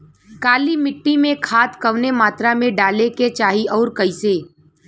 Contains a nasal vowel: yes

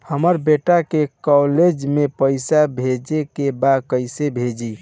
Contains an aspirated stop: no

